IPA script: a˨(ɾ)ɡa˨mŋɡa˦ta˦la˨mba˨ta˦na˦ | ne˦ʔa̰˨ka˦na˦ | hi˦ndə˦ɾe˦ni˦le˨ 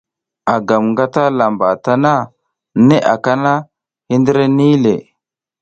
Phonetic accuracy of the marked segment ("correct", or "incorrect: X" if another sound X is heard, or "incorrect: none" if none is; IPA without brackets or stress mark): incorrect: none